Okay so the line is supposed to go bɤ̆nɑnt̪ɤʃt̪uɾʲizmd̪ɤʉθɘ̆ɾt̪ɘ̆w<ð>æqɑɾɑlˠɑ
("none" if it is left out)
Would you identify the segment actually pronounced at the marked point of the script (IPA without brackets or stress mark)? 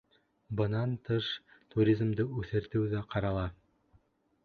ð